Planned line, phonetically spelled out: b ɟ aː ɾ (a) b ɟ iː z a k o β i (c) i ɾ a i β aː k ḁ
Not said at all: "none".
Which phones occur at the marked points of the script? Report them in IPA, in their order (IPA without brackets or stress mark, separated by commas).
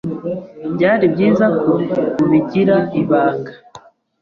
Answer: i, ɟ